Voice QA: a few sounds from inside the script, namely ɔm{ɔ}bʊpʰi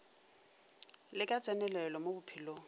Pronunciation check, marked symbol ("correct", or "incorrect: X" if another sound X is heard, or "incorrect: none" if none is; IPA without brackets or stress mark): incorrect: o